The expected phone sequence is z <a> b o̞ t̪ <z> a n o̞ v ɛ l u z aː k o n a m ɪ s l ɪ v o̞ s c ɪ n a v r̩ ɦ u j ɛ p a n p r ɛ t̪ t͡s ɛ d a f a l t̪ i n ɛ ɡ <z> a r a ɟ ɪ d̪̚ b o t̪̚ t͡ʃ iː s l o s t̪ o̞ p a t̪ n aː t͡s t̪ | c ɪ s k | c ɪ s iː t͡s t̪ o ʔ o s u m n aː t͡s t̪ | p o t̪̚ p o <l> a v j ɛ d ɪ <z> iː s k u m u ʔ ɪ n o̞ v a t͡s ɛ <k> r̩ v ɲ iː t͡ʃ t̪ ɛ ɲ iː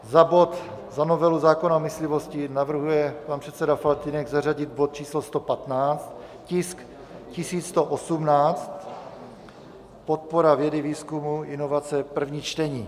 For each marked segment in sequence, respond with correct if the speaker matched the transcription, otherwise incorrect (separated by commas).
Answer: correct, correct, correct, incorrect, incorrect, incorrect